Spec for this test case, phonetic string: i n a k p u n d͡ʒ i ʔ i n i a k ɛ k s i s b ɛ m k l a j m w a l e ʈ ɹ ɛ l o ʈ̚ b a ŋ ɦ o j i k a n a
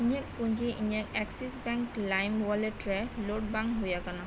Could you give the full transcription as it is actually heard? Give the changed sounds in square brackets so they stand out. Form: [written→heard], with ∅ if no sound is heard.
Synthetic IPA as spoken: i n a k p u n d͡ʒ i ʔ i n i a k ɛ k s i s b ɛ [m→ŋ] k l a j m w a l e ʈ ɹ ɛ l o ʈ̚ b a ŋ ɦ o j [i→a] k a n a